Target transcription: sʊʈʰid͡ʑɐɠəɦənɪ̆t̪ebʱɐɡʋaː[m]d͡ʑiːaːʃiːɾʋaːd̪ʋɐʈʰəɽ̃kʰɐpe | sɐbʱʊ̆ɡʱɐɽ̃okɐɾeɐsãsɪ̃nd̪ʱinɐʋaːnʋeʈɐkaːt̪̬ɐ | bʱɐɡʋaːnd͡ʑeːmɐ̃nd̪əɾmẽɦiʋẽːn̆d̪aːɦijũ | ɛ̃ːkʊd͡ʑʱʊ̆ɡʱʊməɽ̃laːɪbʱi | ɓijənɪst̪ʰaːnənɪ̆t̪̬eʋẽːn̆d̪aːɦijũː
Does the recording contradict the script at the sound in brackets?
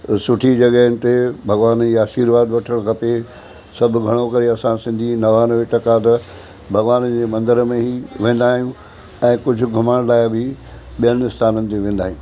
yes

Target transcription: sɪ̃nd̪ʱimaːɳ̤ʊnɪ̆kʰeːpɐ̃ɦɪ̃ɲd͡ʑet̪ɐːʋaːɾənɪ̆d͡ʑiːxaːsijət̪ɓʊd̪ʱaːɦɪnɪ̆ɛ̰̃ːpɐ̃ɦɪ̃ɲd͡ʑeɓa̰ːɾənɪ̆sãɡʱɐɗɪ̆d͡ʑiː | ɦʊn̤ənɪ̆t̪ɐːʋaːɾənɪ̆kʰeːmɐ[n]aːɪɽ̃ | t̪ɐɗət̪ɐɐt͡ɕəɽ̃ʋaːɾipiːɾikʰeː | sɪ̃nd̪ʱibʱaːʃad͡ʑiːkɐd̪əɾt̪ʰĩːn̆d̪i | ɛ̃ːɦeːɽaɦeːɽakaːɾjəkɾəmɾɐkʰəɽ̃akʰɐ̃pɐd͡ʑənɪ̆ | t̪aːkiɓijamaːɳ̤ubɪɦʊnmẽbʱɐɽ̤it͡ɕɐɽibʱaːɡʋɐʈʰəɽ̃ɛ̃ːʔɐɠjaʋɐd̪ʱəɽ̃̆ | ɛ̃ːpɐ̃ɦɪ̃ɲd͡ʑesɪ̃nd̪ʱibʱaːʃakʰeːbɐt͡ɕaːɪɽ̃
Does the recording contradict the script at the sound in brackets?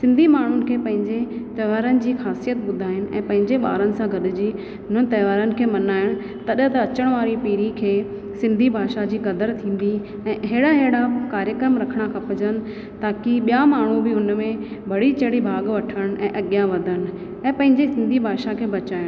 no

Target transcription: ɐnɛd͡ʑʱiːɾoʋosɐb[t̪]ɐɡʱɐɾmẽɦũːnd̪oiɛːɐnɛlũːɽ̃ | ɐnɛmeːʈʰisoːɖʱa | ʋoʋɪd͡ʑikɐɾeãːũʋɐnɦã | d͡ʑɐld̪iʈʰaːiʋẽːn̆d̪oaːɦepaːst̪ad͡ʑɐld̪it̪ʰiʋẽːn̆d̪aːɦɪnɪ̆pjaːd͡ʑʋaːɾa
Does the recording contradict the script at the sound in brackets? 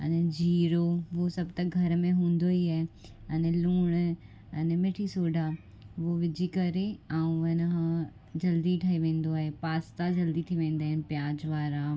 no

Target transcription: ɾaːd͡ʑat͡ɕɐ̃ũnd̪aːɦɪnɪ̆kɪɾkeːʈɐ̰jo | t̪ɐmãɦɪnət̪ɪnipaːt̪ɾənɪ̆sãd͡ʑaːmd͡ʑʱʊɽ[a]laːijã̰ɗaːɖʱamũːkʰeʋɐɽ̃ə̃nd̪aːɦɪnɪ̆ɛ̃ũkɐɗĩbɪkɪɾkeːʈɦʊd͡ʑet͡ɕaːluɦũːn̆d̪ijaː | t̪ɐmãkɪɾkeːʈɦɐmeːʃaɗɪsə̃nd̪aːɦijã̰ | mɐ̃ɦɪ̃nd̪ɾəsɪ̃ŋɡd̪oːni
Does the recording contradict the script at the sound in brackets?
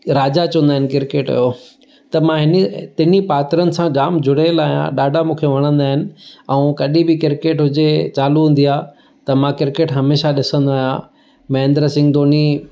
yes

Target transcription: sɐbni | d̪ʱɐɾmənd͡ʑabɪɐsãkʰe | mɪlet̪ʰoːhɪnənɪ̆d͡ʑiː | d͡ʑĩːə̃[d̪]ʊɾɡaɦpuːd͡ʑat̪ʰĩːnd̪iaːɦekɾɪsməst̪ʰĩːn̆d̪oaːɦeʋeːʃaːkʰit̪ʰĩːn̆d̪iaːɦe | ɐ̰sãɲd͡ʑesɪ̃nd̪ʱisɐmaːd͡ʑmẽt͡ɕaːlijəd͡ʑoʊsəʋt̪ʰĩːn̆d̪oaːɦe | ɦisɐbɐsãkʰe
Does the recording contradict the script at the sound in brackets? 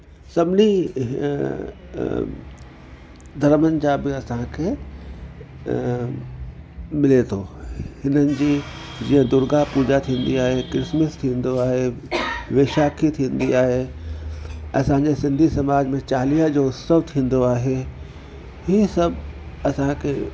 no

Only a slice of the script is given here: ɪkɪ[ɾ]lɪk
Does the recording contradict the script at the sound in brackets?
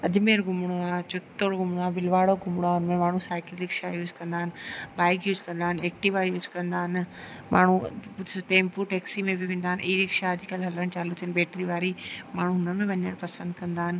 yes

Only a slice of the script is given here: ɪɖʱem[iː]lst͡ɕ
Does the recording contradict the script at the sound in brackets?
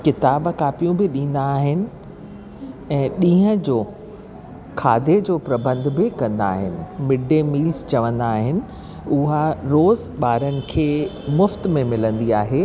no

